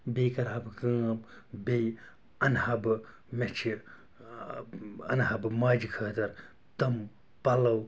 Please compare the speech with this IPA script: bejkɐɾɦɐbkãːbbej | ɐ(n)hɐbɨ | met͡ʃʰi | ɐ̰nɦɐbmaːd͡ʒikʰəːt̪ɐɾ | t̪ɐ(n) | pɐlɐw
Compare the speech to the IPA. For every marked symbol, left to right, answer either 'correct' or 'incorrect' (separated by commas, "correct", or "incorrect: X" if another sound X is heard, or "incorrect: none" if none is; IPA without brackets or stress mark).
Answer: correct, incorrect: m